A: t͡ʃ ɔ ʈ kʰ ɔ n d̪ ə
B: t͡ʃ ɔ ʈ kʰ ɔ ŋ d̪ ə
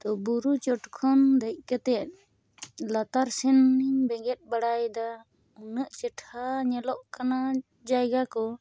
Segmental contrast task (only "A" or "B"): A